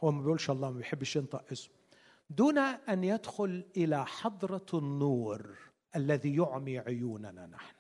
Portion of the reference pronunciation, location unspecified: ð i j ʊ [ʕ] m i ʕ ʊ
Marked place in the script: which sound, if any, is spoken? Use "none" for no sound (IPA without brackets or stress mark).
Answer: ʕ